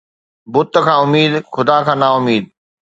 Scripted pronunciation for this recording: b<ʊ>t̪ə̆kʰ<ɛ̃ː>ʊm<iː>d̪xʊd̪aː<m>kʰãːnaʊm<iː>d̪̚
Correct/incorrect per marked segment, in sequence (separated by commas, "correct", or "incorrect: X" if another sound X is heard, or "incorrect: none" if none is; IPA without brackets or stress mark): correct, incorrect: ãː, correct, incorrect: none, correct